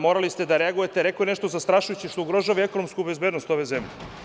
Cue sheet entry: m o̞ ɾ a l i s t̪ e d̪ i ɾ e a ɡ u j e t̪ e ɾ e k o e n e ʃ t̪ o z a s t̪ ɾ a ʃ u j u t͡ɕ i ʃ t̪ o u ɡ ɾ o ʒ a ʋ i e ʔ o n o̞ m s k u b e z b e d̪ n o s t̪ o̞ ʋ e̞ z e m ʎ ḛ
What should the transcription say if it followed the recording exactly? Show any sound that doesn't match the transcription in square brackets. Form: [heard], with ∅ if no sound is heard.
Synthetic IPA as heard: m o̞ ɾ a l i s t̪ e d̪ [a] ɾ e a ɡ u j e t̪ e ɾ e k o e n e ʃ t̪ o z a s t̪ ɾ a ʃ u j u t͡ɕ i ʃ t̪ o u ɡ ɾ o ʒ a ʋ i e [k] o n o̞ m s k u b e z b e d̪ n o s t̪ o̞ ʋ e̞ z e m ʎ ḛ